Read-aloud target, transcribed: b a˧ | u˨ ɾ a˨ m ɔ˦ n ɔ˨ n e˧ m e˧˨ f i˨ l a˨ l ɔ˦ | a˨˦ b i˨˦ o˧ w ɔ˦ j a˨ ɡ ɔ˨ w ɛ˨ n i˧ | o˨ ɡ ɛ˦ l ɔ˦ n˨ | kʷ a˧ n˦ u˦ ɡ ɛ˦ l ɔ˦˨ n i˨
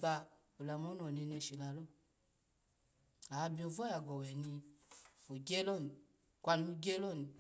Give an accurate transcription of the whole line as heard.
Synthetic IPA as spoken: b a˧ | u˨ l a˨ m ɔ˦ n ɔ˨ n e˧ n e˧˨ ʃ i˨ l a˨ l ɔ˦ | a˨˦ b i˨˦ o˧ v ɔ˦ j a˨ ɡ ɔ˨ w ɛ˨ n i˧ | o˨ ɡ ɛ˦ l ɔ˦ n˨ | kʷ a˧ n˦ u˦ ɡ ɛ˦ l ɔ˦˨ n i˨

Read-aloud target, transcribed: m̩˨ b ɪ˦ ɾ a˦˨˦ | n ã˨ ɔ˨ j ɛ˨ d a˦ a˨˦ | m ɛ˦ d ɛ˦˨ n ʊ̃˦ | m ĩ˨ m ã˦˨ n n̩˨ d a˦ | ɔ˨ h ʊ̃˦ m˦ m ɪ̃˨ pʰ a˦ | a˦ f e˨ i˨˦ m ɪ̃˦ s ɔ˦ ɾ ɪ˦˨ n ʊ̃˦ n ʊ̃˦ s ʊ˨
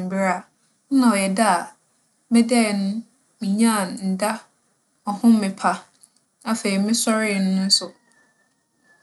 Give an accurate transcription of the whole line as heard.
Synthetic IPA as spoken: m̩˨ b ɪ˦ ɾ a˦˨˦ | n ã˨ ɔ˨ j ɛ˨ d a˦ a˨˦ | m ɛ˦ d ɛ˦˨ n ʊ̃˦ | m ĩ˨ ɲ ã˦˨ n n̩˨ d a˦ | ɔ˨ h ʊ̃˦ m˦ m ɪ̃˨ pʰ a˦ | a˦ f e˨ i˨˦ m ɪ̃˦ s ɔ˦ ɾ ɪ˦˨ n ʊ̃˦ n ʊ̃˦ s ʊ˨

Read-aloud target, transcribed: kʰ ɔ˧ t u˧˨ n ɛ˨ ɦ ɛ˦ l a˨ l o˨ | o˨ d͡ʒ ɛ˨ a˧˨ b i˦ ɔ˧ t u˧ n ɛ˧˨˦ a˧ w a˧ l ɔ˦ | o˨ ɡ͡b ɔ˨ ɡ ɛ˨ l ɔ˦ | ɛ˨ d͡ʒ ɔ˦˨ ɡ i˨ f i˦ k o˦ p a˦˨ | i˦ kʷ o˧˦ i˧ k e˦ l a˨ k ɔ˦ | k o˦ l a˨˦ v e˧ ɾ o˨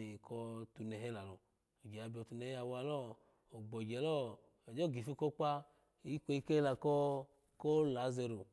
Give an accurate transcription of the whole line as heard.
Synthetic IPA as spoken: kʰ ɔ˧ t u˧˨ n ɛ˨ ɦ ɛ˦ l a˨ l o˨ | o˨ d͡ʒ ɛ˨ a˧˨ b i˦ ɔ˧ t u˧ n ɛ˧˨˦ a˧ w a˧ l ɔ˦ | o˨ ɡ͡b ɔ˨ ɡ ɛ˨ l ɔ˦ | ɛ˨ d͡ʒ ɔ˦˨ ɡ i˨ f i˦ k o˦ k͡p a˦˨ | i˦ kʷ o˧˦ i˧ k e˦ l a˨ k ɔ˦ | k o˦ l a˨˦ z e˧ ɾ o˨

